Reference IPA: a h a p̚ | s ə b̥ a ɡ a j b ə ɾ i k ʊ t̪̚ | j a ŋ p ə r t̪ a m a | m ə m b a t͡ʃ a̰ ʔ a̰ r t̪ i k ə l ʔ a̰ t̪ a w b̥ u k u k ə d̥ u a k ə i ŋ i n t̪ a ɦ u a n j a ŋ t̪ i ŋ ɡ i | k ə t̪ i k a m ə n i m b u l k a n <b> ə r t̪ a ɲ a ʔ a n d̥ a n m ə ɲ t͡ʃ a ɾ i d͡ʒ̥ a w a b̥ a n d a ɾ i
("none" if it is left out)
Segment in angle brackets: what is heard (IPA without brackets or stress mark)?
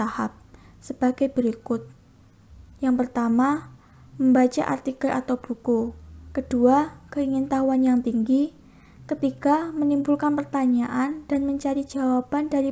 p